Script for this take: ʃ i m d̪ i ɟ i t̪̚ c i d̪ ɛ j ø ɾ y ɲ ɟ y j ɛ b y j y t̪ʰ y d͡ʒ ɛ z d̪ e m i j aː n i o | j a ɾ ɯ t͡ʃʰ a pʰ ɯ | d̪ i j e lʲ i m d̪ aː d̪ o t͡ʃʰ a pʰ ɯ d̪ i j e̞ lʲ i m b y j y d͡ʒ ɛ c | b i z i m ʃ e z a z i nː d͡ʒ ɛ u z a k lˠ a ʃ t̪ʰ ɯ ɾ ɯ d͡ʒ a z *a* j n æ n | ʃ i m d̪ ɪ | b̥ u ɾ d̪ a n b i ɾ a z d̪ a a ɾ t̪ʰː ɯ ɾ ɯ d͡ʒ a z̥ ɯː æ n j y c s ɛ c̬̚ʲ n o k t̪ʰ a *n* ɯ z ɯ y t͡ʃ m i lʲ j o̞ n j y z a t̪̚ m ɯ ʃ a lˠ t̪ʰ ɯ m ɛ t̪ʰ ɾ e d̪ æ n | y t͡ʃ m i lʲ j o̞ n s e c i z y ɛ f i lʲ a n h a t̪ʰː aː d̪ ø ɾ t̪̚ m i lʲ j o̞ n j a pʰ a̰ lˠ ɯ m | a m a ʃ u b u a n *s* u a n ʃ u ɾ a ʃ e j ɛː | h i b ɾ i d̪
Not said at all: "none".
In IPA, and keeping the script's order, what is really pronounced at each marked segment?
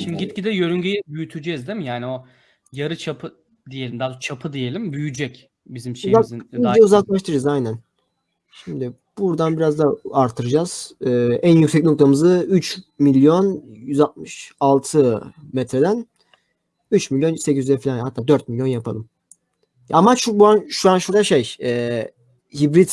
a, m, ʃ

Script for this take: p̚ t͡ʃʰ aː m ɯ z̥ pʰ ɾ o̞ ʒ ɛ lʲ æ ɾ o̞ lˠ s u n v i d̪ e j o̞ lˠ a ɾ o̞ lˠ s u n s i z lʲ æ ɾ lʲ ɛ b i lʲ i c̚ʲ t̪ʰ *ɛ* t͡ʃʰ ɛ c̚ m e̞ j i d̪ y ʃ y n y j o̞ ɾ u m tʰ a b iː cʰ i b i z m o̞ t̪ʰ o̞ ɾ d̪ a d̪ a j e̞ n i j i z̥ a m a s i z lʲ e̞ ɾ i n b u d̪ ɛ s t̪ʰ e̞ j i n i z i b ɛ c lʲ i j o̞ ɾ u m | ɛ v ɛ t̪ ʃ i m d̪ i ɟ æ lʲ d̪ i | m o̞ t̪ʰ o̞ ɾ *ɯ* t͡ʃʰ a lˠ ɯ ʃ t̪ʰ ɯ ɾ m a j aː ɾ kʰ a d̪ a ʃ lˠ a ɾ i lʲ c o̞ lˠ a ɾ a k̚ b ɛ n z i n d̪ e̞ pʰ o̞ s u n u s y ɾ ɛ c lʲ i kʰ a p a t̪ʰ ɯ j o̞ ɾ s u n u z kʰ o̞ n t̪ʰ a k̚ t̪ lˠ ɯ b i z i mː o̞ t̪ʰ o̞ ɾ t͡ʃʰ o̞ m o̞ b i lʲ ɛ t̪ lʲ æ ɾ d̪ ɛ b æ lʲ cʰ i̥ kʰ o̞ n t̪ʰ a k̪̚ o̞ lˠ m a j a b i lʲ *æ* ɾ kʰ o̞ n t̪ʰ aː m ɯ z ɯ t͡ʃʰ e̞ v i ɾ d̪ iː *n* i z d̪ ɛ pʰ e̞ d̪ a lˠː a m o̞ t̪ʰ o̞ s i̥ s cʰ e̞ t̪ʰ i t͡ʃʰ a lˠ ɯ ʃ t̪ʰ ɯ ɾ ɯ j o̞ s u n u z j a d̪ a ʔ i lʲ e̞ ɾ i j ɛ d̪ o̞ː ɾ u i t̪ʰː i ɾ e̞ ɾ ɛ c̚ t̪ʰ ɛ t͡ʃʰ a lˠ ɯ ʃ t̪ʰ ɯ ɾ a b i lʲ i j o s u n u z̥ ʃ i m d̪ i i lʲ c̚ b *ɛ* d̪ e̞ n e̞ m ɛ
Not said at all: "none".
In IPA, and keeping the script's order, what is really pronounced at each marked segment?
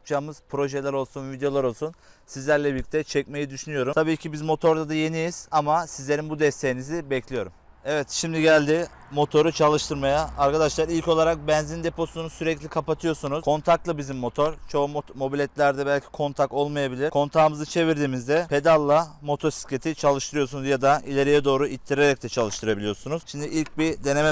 ɛ, u, i, m, i

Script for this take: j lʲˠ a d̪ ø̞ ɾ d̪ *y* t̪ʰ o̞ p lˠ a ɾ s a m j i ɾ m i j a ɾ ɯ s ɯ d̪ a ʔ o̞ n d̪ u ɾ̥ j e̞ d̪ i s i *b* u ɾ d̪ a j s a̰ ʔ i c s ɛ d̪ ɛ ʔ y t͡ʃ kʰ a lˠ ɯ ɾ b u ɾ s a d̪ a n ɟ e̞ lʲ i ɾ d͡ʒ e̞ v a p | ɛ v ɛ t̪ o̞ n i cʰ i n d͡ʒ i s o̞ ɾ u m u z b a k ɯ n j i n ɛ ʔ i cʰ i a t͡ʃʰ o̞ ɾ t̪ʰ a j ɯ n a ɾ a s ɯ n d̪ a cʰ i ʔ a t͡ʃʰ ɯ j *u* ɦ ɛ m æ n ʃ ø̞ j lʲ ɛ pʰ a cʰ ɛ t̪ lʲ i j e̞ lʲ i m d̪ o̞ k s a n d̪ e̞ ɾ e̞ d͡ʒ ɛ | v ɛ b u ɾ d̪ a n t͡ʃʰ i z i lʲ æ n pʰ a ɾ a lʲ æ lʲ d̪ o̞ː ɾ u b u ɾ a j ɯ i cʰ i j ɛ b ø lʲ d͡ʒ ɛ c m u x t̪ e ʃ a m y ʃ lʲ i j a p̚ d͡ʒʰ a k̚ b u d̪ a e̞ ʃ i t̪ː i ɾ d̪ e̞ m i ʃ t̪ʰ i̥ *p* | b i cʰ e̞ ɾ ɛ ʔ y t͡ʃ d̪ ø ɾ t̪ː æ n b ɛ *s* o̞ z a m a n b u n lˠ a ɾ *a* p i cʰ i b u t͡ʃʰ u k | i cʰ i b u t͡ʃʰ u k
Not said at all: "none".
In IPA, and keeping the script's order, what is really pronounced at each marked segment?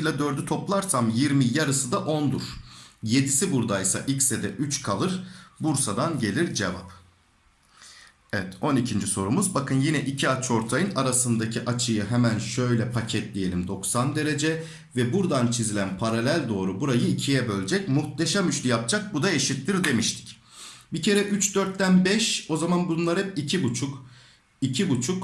y, b, ɯ, c, ʃ, ɛ

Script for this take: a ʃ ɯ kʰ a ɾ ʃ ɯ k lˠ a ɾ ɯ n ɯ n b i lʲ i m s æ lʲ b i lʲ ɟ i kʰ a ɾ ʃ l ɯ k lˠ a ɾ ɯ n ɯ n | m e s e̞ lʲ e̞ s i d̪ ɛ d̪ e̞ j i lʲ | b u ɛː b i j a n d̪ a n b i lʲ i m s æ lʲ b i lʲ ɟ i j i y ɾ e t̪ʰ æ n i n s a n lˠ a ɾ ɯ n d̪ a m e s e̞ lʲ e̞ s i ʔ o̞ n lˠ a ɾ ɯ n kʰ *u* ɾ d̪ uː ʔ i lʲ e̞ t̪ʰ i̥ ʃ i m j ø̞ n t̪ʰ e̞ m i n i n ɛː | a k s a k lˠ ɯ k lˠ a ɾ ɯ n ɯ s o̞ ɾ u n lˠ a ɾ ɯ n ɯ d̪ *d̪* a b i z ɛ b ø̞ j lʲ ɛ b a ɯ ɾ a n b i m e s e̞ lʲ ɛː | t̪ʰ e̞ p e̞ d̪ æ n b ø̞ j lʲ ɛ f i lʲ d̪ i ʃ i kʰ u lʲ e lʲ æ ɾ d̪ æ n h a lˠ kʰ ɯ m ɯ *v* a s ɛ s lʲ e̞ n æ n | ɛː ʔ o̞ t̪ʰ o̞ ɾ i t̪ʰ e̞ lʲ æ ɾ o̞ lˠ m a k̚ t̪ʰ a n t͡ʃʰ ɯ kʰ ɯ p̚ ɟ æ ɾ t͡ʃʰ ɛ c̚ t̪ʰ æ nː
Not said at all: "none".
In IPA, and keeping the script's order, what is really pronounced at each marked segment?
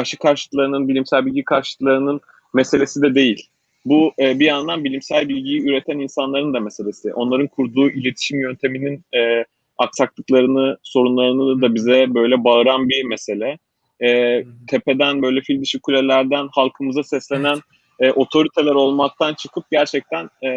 u, d̪, z

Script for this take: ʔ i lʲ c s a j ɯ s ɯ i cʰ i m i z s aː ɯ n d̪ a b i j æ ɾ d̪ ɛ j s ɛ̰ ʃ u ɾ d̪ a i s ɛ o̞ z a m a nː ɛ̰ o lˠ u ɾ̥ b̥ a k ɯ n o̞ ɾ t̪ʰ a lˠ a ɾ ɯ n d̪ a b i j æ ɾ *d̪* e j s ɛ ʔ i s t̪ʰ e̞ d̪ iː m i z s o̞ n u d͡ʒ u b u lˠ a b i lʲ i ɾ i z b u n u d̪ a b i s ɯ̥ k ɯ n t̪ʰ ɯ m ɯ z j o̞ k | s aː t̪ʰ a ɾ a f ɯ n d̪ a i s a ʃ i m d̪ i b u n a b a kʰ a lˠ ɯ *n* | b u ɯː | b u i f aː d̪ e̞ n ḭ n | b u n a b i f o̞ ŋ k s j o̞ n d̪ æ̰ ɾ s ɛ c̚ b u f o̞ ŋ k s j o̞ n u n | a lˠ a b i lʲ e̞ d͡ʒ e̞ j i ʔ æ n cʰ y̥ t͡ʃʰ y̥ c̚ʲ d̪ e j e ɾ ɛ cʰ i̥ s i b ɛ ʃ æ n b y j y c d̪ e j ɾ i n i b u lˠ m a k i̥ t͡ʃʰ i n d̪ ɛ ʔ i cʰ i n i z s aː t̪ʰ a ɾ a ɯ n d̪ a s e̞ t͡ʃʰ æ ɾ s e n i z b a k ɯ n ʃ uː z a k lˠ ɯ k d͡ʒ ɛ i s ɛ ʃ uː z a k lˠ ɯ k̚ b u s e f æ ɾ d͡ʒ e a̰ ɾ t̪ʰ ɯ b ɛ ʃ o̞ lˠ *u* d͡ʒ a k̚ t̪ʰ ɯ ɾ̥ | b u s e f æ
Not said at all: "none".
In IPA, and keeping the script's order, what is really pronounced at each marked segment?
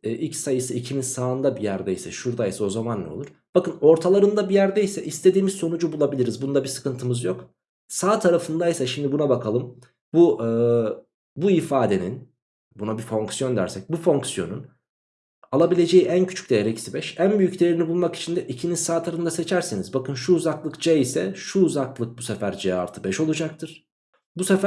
d̪, m, u

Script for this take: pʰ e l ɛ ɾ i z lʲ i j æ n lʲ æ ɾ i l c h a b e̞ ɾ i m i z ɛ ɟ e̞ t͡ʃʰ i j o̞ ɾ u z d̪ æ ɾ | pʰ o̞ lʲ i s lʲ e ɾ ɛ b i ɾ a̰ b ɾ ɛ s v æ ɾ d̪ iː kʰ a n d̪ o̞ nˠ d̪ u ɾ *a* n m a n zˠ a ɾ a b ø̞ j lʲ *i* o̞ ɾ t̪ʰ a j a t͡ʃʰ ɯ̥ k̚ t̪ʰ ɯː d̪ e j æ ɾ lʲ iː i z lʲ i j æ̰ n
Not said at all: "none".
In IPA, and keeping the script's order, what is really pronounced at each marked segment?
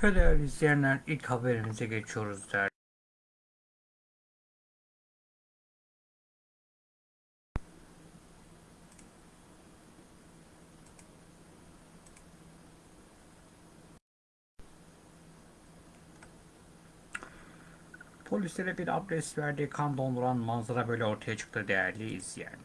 a, ɛ

